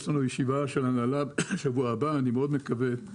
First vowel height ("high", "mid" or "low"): low